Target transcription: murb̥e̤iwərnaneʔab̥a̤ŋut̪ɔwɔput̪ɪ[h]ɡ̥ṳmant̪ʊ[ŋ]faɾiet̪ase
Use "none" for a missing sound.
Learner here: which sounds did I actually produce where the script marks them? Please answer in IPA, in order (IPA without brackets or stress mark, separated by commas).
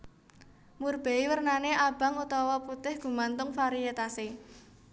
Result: h, ŋ